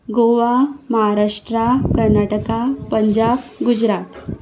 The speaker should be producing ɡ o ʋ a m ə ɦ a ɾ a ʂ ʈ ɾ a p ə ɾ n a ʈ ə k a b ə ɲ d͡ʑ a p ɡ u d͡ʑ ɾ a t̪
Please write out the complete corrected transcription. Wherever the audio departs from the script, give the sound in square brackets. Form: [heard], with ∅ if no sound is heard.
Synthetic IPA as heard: ɡ o ʋ a m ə ɦ a ɾ a ʂ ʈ ɾ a [k] ə ɾ n a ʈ ə k a [p] ə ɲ d͡ʑ a [b] ɡ u d͡ʑ ɾ a t̪